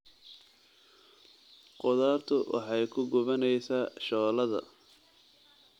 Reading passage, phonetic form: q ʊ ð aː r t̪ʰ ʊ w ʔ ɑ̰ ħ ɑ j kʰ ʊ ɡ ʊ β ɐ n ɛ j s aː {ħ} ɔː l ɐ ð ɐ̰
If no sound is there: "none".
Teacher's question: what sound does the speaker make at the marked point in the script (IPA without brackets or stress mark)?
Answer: ʃ